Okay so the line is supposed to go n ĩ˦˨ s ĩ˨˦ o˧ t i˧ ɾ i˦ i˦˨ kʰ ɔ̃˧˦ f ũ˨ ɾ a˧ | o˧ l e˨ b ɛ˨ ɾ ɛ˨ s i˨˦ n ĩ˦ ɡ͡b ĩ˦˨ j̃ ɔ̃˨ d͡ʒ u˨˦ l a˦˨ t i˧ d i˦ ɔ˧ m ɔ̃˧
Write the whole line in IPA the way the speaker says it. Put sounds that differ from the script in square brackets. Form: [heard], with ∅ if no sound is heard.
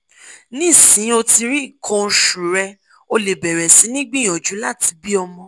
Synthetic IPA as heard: n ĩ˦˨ s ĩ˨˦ o˧ t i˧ ɾ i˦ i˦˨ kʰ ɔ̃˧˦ [ʃ] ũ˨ ɾ [ɛ˧] | o˧ l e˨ b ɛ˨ ɾ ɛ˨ s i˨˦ n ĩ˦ ɡ͡b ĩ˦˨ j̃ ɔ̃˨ d͡ʒ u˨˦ l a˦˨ t i˧ [b] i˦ ɔ˧ m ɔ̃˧